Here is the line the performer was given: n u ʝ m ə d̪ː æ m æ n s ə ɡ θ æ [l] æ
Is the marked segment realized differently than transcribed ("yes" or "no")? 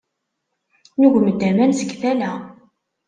no